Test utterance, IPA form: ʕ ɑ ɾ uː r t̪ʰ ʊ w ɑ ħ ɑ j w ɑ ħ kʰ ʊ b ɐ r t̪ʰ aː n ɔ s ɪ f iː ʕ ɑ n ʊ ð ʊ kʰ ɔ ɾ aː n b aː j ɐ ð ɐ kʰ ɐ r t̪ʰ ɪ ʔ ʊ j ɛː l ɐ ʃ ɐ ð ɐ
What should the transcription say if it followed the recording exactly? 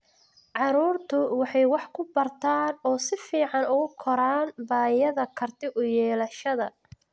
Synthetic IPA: ʕ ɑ ɾ uː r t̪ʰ ʊ w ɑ ħ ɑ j w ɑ ħ kʰ ʊ b ɐ r t̪ʰ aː n ɔː s ɪ f iː ʕ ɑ n ʊ ɣ ʊ kʰ ɔ ɾ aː n b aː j ɐ ð ɐ kʰ ɐ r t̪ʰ ɪ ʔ ʊ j ɛː l ɐ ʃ ɐ ð ɐ